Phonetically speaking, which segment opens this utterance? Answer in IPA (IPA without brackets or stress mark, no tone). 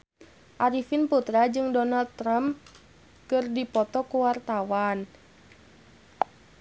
ʔ